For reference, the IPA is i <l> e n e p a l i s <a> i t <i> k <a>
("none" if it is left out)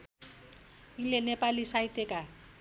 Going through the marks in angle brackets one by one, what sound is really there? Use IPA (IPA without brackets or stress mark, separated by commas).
l, a, e, a